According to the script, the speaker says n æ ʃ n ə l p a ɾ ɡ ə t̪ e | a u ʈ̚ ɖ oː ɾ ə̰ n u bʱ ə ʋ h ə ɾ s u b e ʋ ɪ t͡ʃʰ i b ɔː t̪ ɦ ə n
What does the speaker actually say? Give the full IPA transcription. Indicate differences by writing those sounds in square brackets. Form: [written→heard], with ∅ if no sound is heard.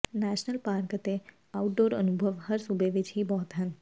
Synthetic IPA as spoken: n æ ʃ n ə l p a ɾ [ɡ→k] ə t̪ e | a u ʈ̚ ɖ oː ɾ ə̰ n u bʱ ə ʋ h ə ɾ s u b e ʋ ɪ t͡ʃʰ i b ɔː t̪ ɦ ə n